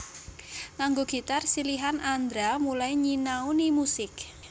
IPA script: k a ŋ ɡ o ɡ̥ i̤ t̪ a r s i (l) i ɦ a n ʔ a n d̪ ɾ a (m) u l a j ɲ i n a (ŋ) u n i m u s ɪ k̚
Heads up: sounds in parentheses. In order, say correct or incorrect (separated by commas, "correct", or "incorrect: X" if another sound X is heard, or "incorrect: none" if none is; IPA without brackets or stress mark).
correct, correct, incorrect: none